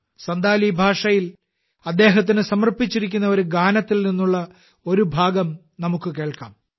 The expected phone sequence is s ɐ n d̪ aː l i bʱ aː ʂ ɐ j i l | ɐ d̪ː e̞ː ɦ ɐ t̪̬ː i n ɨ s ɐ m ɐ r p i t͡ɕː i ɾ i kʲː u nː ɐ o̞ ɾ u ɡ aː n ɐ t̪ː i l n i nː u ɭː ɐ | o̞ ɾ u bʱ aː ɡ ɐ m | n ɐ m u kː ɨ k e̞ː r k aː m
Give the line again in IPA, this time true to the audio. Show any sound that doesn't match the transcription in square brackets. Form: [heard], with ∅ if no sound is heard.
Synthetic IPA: s ɐ n d̪ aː l i bʱ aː ʂ ɐ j i l | ɐ d̪ː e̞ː ɦ ɐ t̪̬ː i n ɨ s ɐ m ɐ r p i t͡ɕː i ɾ i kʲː u nː ɐ o̞ ɾ u ɡ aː n ɐ t̪ː i l n i nː u ɭː ɐ | o̞ ɾ u bʱ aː ɡ ɐ m | n ɐ m u kː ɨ k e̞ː [ɭ] k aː m

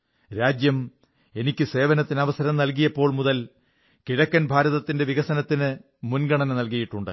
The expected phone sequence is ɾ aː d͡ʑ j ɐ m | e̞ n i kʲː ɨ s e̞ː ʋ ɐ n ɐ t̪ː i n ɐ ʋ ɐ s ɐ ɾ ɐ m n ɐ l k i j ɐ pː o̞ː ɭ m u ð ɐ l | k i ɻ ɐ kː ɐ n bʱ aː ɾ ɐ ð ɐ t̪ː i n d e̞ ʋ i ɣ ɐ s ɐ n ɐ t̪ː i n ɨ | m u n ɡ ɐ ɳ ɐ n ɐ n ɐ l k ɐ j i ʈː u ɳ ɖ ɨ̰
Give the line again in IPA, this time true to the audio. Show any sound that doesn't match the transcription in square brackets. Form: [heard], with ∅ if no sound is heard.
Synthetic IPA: ɾ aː d͡ʑ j ɐ m | e̞ n i kʲː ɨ s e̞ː ʋ ɐ n ɐ t̪ː i n ɐ ʋ ɐ s ɐ ɾ ɐ m n ɐ l k i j ɐ pː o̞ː ɭ m u ð ɐ l | k i ɻ ɐ kː ɐ n bʱ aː ɾ ɐ ð ɐ t̪ː i n d e̞ ʋ i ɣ ɐ s ɐ n ɐ t̪ː i n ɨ | m u n ɡ ɐ ɳ ɐ n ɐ n ɐ l k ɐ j i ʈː u ɳ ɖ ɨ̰

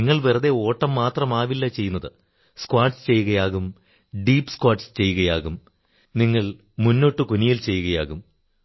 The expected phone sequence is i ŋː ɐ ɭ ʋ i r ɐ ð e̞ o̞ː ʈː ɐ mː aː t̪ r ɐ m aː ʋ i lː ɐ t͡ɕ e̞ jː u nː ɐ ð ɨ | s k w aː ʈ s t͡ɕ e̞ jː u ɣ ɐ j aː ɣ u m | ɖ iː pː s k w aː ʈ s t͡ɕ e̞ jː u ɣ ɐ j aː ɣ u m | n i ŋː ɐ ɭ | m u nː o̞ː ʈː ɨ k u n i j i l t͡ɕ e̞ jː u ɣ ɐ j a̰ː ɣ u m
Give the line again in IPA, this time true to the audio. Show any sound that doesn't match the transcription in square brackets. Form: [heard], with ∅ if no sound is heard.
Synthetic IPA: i ŋː ɐ ɭ ʋ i r ɐ ð e̞ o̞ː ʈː ɐ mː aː t̪ r ɐ m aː ʋ i lː ɐ t͡ɕ e̞ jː u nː ɐ ð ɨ | s k w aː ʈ s t͡ɕ e̞ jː u ɣ ɐ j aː ɣ u m | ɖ iː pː s k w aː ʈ s t͡ɕ e̞ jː u ɣ ɐ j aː ɣ u m | n i ŋː ɐ ɭ | m u nː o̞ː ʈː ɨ k u n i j i l t͡ɕ e̞ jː u ɣ ɐ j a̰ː ɣ u m

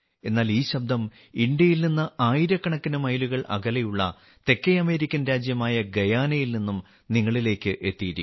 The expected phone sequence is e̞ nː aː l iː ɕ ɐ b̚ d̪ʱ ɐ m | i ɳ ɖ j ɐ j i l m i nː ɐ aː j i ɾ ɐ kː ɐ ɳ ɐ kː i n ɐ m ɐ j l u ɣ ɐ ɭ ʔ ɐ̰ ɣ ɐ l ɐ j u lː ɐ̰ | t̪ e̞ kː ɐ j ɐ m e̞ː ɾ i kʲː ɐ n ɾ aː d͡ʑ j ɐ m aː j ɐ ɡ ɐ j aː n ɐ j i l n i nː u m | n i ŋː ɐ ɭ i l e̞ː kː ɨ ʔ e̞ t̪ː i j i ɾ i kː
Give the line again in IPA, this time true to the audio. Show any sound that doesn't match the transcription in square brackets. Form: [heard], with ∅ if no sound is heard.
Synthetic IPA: e̞ nː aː l iː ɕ ɐ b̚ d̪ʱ ɐ m | i ɳ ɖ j ɐ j i l [n] i nː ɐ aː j i ɾ ɐ kː ɐ ɳ ɐ kː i n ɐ m ɐ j l u ɣ ɐ ɭ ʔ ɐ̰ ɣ ɐ l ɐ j u [ɭː] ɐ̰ | t̪ e̞ kː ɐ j ɐ m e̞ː ɾ i kʲː ɐ n ɾ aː d͡ʑ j ɐ m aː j ɐ ɡ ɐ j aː n ɐ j i l n i nː u m | n i ŋː ɐ ɭ i l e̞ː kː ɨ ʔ e̞ t̪ː i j i ɾ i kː

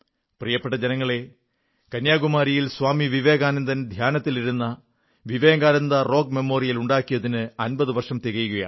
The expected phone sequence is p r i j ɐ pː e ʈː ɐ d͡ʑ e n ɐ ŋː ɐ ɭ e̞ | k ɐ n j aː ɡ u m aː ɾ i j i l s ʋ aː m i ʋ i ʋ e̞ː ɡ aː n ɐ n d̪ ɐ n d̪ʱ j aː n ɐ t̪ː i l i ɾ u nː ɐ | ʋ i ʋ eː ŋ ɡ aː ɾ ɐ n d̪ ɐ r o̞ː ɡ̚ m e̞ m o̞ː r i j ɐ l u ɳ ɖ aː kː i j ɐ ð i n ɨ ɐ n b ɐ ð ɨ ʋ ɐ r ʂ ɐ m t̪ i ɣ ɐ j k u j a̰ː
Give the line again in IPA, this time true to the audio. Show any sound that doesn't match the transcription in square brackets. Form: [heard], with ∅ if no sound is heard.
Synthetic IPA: p r i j ɐ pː e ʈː ɐ d͡ʑ e n ɐ ŋː ɐ ɭ e̞ | k ɐ n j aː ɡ u m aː ɾ i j i l s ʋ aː m i ʋ i ʋ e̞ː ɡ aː n ɐ n d̪ ɐ n d̪ʱ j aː n ɐ t̪ː i l i ɾ u nː ɐ | ʋ i ʋ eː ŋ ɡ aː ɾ ɐ n d̪ ɐ r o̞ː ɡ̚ m e̞ m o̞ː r i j ɐ l u ɳ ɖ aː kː i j ɐ ð i n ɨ ɐ n b ɐ ð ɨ ʋ ɐ r ʂ ɐ m t̪ i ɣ ɐ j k u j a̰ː

